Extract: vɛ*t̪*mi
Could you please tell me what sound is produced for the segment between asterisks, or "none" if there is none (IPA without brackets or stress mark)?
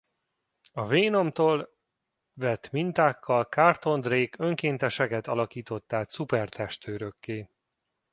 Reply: t̪